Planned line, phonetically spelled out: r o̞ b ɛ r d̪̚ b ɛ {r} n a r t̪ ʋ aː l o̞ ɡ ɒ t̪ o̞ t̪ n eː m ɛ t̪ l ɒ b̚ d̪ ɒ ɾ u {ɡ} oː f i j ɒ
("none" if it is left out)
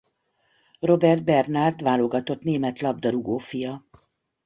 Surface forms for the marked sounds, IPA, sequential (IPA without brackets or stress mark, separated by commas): r, ɡ